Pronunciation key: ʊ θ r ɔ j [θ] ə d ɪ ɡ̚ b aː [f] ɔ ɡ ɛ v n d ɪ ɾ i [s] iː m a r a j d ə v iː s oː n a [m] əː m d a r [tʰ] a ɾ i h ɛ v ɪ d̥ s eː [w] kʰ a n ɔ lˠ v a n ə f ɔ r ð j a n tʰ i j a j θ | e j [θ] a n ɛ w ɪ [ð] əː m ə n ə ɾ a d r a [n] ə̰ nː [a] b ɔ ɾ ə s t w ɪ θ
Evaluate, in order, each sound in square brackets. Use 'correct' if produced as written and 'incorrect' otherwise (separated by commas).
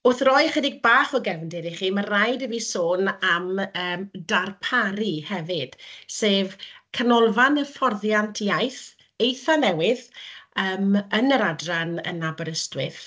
incorrect, incorrect, incorrect, correct, incorrect, incorrect, correct, correct, correct, correct